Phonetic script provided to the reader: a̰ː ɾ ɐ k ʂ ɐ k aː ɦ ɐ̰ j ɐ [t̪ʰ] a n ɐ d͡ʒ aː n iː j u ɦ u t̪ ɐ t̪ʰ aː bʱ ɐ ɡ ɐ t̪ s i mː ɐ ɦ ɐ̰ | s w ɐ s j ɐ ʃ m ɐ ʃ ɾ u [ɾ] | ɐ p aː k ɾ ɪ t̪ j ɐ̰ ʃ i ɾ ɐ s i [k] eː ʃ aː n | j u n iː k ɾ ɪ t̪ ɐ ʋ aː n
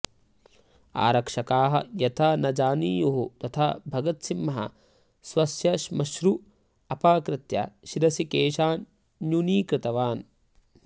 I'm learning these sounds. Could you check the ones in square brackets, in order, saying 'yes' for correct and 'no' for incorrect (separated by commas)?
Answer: yes, no, yes